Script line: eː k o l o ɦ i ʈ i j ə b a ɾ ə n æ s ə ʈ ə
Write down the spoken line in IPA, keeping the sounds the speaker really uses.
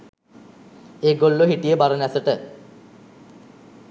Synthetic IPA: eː ɡ o lː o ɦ i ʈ i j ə b a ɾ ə n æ s ə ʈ ə